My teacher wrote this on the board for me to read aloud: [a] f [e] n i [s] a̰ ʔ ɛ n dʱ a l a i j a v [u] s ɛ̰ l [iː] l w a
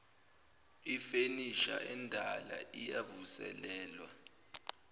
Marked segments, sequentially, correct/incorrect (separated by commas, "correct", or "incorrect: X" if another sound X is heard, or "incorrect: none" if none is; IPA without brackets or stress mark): incorrect: i, correct, incorrect: ʃ, correct, incorrect: ɛː